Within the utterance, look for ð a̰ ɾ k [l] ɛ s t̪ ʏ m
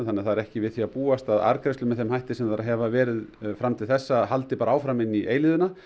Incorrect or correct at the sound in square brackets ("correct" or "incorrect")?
incorrect